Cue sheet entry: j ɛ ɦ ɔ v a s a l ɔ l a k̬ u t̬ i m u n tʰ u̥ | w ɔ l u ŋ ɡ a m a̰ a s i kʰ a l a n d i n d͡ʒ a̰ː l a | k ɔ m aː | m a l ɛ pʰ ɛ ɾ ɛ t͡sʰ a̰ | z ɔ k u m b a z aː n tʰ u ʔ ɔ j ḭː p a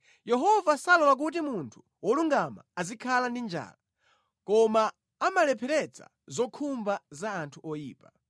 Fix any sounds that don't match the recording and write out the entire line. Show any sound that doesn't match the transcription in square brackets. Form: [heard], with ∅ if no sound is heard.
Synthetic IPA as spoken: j ɛ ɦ ɔ v a s a l ɔ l a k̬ u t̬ i m u n tʰ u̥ | w ɔ l u ŋ ɡ a m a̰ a [z] i kʰ a l a n d i n d͡ʒ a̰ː l a | k ɔ m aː | m a l ɛ pʰ ɛ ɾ ɛ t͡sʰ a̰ | z ɔ [kʰ] u m b a z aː n tʰ u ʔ ɔ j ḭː p a